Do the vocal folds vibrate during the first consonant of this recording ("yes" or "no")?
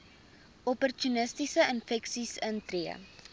no